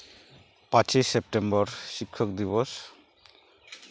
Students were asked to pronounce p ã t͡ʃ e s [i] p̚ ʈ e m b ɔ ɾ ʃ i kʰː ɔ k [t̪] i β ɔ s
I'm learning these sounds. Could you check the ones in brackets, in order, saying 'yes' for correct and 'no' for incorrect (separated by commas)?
no, no